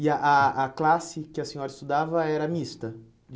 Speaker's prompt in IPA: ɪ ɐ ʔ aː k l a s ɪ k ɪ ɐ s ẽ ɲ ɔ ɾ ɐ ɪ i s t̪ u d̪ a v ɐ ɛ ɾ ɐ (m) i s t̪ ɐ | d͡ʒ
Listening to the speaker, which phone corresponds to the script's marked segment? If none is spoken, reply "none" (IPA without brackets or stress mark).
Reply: m